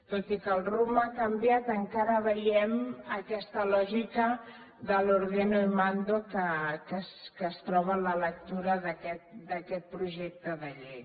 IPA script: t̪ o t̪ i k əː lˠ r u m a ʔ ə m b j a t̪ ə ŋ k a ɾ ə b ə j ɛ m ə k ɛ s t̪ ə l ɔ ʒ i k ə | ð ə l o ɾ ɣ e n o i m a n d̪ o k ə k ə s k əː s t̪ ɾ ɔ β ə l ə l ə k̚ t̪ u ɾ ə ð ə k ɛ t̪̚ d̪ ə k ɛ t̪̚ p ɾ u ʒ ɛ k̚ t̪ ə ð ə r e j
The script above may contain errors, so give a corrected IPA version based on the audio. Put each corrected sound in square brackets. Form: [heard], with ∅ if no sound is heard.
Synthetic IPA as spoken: t̪ o t̪ i k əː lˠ r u m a [k] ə m b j a t̪ ə ŋ k a ɾ ə [β] ə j ɛ m ə k ɛ s t̪ ə l ɔ ʒ i k ə | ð ə l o ɾ ɣ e n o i m a n d̪ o k ə k ə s k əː s t̪ ɾ ɔ β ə l ə l ə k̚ t̪ u ɾ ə ð ə k ɛ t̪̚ d̪ ə k ɛ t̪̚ p ɾ u ʒ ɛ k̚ t̪ ə ð ə [ʎ] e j